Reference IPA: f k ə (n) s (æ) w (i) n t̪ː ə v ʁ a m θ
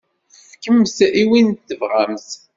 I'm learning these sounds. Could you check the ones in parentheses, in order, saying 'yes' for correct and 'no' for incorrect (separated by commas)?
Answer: no, no, yes